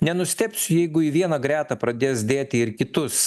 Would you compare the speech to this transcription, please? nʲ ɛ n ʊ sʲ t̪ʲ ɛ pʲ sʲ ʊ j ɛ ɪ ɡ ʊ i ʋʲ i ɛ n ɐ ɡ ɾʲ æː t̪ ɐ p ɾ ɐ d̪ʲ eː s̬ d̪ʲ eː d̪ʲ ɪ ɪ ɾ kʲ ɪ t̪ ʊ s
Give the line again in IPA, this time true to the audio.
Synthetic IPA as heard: nʲ ɛ n ʊ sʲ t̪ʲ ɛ pʲ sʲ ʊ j ɛ ɪ ɡ ʊ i ʋʲ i ɛ n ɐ ɡ ɾʲ æː t̪ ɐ p ɾ ɐ d̪ʲ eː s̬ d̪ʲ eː t̪ʲ ɪ ɪ ɾ kʲ ɪ t̪ ʊ s